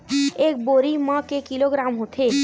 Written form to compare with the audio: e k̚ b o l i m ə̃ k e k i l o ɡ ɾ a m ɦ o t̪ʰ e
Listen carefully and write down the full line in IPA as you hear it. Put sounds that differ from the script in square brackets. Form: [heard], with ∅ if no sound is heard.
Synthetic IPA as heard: e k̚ b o [ɾ] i m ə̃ k e k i l o ɡ ɾ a m ɦ o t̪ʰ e